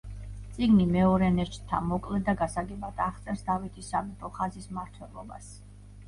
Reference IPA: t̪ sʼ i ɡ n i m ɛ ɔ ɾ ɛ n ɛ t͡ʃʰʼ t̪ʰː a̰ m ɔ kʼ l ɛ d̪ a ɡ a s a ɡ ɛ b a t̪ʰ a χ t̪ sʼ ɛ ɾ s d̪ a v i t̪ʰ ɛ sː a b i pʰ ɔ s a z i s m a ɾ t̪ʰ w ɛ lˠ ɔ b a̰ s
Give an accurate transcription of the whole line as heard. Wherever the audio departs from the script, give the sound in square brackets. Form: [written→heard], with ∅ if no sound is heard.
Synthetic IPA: t̪ sʼ i ɡ n i m ɛ ɔ ɾ ɛ n ɛ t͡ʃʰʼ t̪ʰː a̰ m ɔ kʼ l ɛ d̪ a ɡ a s a ɡ ɛ b a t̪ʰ a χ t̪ sʼ ɛ ɾ s d̪ a v i t̪ʰ [ɛ→i] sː a b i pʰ ɔ [s→χ] a z i s m a ɾ t̪ʰ w ɛ lˠ ɔ b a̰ s